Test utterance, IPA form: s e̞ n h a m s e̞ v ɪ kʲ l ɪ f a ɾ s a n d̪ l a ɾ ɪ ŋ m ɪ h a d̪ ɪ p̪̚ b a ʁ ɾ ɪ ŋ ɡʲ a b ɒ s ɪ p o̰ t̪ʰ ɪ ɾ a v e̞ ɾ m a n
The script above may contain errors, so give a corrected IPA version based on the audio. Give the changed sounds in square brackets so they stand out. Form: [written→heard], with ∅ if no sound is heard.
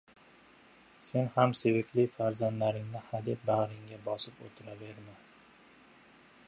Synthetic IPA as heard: s e̞ n h a m s e̞ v ɪ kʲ l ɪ f a ɾ [s→z] a n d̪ l a ɾ ɪ ŋ [m→n] ɪ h a d̪ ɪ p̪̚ b a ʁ ɾ ɪ ŋ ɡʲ a b ɒ s ɪ p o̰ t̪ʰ ɪ ɾ a v e̞ ɾ m a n